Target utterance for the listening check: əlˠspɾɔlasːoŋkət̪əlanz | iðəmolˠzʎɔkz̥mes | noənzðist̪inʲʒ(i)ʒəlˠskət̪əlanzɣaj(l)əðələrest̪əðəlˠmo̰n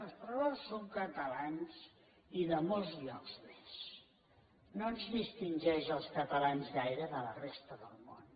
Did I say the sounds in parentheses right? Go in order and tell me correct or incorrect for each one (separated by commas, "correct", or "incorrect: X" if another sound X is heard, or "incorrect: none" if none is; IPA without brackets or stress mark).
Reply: incorrect: ɛ, incorrect: ɾ